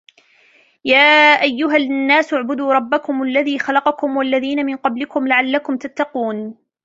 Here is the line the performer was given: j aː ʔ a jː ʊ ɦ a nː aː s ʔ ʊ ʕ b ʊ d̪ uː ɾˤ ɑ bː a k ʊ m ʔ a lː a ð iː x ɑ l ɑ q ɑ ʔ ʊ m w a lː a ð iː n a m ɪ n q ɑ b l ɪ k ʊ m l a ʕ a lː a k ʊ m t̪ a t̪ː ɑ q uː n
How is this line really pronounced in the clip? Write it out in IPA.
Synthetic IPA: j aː ʔ a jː ʊ ɦ a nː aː s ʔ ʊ ʕ b ʊ d̪ uː ɾˤ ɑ bː a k ʊ m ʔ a lː a ð iː x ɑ l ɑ q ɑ k ʊ m w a lː a ð iː n a m ɪ n q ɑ b l ɪ k ʊ m l a ʕ a lː a k ʊ m t̪ a t̪ː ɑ q uː n